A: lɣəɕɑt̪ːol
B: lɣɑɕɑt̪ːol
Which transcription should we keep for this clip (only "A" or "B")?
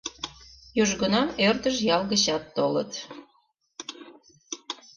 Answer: A